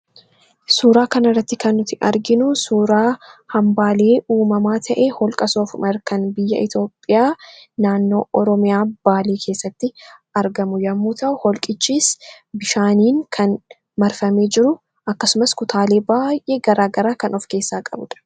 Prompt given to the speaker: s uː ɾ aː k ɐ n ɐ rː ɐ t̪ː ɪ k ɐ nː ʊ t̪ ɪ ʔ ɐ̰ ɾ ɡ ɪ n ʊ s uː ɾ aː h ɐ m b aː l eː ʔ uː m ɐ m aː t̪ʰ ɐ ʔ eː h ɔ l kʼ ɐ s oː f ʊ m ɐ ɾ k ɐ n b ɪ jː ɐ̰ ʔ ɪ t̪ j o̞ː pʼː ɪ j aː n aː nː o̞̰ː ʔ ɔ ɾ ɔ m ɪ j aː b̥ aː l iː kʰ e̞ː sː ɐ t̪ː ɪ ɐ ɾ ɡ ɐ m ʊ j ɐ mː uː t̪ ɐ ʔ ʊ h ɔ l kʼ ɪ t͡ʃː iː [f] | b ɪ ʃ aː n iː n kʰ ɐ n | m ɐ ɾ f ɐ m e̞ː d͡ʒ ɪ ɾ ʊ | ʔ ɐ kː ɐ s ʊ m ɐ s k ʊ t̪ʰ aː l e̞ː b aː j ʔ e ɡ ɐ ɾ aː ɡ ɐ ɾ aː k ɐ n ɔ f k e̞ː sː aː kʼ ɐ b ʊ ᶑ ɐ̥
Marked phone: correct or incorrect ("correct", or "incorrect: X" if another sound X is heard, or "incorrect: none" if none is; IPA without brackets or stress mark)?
incorrect: s